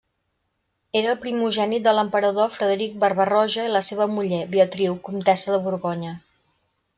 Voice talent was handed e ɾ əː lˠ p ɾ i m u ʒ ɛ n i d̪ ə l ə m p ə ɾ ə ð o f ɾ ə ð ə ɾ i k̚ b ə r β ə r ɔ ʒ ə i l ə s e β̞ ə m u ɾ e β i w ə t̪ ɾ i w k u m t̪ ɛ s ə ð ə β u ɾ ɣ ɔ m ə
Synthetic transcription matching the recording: e ɾ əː lˠ p ɾ i m u ʒ ɛ n i d̪ ə l ə m p ə ɾ ə ð o f ɾ ə ð ə ɾ i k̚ b ə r β ə r ɔ ʒ ə i l ə s e β̞ ə m u ʎ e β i ə t̪ ɾ i w k u m t̪ ɛ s ə ð ə β u ɾ ɣ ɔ ɲ ə